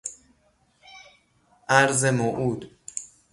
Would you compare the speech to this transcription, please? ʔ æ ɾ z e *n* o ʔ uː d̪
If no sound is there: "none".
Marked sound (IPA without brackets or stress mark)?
m